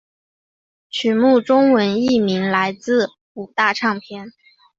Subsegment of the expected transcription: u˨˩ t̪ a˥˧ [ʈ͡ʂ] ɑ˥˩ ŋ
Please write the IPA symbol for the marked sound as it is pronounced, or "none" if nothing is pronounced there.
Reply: ʈ͡ʂʰ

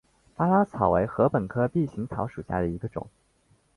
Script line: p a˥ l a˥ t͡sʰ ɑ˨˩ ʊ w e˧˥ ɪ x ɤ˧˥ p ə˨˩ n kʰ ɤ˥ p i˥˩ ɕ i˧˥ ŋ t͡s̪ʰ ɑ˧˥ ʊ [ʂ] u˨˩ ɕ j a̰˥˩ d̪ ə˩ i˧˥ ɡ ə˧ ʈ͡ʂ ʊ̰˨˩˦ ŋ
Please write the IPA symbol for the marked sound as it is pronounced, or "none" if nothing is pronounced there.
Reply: ʂ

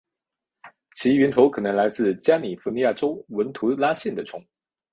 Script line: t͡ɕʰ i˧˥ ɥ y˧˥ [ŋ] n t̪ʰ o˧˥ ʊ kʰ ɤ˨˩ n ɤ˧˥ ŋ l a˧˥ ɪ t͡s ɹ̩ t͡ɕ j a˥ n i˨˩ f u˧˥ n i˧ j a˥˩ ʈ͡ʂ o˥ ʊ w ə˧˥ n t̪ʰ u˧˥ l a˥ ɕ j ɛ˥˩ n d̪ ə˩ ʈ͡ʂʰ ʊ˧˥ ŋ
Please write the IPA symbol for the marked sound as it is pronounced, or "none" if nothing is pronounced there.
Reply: none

